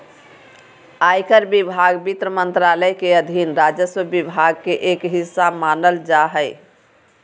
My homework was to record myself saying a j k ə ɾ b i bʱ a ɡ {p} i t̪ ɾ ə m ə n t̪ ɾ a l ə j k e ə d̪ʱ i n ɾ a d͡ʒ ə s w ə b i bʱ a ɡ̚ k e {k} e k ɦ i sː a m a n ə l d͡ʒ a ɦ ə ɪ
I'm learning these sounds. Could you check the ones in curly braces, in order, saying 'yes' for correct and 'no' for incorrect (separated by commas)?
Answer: no, no